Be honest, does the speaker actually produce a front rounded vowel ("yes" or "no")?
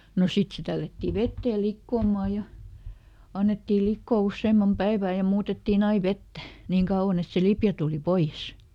no